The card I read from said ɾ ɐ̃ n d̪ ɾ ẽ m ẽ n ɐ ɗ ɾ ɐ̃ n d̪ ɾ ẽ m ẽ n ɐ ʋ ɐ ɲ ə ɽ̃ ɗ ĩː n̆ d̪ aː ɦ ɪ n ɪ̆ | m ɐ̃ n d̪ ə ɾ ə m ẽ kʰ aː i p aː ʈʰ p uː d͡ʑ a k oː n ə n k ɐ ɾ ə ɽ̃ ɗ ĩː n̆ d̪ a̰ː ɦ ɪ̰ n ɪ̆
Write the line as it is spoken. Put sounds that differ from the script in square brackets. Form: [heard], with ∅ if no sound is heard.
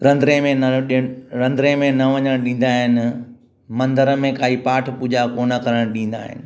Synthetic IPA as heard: ɾ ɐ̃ n d̪ ɾ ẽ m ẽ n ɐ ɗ ɾ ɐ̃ n d̪ ɾ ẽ m ẽ n ɐ ʋ ɐ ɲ ə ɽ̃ ɗ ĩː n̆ d̪ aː ɦ ɪ n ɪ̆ | m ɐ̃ n d̪ ə ɾ ə m ẽ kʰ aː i p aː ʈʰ p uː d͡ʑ a k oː n ə [∅] k ɐ ɾ ə ɽ̃ ɗ ĩː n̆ d̪ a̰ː ɦ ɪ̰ n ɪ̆